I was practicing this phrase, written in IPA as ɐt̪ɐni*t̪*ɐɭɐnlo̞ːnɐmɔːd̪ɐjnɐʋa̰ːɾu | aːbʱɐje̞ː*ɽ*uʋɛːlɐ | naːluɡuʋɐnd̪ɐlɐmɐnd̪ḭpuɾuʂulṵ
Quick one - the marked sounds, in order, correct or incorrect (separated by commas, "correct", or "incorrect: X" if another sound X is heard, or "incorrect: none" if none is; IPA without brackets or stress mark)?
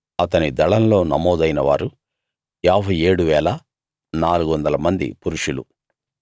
incorrect: d̪, correct